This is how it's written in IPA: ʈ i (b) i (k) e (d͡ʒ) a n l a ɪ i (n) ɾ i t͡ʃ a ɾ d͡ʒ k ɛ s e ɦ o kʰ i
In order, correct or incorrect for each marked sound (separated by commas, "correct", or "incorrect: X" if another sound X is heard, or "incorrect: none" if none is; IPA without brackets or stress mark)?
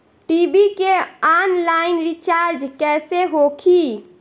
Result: correct, correct, incorrect: none, correct